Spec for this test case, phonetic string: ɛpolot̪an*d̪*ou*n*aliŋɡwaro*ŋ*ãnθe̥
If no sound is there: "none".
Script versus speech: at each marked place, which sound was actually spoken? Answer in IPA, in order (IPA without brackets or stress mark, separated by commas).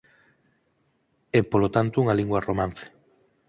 t̪, ŋ, m